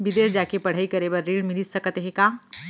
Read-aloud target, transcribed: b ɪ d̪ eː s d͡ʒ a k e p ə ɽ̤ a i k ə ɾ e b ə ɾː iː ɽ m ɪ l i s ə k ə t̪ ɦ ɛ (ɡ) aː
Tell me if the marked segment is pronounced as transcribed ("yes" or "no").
no